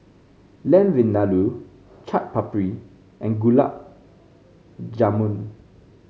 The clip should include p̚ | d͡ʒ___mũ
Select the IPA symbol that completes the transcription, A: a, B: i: A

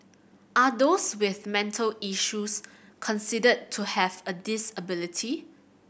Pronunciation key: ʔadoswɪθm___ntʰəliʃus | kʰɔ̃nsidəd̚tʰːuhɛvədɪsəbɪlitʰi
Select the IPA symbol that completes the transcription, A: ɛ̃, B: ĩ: A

